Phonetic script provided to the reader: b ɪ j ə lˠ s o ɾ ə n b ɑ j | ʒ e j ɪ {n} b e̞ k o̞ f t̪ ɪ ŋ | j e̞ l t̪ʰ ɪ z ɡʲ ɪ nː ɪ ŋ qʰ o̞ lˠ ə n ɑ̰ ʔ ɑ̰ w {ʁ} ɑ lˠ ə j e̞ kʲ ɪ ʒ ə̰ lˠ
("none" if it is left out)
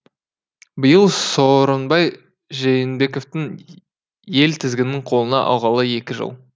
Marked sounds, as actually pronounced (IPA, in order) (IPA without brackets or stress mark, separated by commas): n, ʁ